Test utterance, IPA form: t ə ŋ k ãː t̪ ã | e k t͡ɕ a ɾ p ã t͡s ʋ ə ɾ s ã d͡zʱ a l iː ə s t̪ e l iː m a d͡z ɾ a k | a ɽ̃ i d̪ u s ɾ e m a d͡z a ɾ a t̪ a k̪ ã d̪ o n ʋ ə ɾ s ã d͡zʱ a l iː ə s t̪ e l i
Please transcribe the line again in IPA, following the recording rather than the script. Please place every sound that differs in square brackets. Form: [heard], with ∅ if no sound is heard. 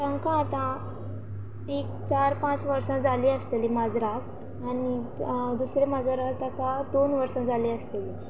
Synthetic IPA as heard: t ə ŋ k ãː t̪ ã | e k t͡ɕ a ɾ p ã t͡s ʋ ə ɾ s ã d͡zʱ a l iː ə s t̪ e l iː m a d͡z ɾ a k | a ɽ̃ i d̪ u s ɾ e m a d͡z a ɾ a t̪ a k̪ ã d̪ o n ʋ ə ɾ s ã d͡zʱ a l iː ə s t̪ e l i